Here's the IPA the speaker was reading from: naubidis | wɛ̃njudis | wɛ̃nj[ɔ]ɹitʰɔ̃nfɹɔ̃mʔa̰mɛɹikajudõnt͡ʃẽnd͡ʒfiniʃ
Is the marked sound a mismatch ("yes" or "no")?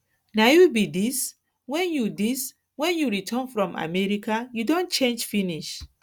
yes